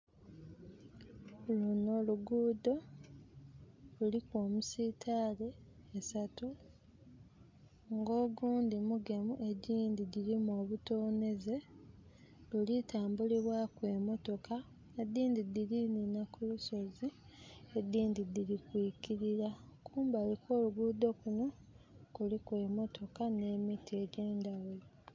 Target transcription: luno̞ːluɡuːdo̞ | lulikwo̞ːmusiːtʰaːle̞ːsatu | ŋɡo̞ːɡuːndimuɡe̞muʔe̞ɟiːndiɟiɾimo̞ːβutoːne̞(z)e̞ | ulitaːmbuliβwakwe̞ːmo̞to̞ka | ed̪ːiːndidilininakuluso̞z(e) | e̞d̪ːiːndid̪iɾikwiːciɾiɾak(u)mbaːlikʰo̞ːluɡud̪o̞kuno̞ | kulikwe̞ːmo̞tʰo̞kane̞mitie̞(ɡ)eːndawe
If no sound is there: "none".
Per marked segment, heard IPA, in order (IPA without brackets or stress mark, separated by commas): z, i, uː, ɟ